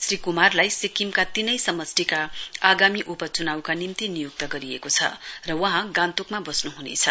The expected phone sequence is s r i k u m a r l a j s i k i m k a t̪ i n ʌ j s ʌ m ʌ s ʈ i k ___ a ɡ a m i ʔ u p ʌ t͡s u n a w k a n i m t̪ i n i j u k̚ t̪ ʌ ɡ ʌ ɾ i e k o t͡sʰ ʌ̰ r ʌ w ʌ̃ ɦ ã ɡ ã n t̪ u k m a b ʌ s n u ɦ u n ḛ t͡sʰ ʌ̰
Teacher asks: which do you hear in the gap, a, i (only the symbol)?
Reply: a